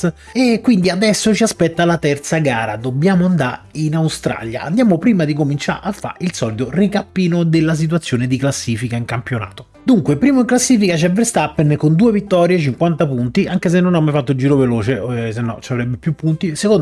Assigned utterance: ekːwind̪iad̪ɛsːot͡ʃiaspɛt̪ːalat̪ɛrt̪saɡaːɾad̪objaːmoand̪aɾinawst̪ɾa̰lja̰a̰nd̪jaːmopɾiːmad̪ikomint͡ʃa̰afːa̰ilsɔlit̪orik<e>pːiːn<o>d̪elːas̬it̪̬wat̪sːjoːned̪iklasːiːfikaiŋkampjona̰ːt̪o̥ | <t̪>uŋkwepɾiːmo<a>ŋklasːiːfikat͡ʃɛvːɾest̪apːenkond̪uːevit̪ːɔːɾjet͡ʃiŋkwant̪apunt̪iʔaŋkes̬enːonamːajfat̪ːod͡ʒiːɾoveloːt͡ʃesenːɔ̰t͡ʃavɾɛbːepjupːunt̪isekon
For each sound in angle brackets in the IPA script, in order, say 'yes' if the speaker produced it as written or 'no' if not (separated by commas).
no, yes, no, no